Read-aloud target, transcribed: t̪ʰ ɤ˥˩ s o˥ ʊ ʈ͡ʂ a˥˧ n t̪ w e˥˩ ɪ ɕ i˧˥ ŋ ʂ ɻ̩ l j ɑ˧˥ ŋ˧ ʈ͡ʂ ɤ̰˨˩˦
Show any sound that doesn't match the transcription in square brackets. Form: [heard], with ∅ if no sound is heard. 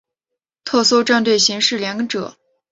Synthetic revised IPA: t̪ʰ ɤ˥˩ s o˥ ʊ ʈ͡ʂ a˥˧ n t̪ w e˥˩ ɪ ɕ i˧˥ ŋ ʂ ɻ̩ l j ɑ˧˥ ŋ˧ ʈ͡ʂ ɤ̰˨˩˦

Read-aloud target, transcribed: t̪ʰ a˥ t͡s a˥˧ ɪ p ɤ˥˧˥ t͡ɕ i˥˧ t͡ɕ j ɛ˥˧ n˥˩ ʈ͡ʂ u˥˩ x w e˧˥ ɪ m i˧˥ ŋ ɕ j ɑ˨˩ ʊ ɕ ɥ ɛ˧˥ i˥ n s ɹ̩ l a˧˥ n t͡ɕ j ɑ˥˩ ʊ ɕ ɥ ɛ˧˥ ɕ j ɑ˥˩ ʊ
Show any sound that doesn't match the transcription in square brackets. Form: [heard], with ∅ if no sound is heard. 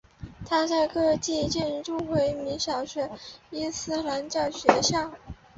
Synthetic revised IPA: t̪ʰ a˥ t͡s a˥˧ ɪ [k] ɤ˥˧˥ t͡ɕ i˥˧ t͡ɕ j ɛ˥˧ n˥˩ ʈ͡ʂ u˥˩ x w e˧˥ ɪ m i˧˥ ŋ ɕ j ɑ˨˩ ʊ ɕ ɥ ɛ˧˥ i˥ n s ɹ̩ l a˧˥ n t͡ɕ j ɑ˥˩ ʊ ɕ ɥ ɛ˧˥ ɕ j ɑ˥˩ ʊ

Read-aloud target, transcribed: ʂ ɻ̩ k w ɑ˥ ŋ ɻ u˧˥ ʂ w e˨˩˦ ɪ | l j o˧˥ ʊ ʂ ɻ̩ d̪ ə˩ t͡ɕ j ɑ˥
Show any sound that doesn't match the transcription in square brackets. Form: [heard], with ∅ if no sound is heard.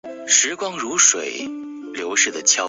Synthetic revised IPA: ʂ ɻ̩ k w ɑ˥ ŋ ɻ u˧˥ ʂ w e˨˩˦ ɪ | l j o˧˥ ʊ ʂ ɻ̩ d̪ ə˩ [t͡ɕʰ] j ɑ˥

